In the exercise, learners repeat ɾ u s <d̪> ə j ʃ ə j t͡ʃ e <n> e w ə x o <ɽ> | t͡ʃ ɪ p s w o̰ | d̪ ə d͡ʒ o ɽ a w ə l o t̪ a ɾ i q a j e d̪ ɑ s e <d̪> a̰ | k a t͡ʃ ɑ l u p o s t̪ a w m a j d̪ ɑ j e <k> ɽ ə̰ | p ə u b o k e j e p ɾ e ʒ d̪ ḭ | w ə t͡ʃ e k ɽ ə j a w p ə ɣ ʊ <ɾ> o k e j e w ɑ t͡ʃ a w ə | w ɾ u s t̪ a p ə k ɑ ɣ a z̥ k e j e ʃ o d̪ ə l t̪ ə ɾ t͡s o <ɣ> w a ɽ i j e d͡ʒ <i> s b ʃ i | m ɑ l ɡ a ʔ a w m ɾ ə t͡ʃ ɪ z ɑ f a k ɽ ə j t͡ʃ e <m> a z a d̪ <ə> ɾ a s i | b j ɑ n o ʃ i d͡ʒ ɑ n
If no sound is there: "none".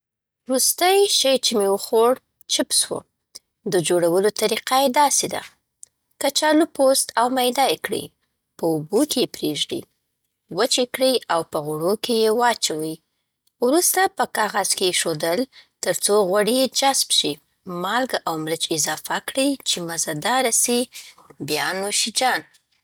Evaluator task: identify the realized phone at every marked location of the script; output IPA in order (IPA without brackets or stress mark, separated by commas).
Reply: t̪, m, ɽ, d̪, k, ɽ, ɣ, a, m, ɑ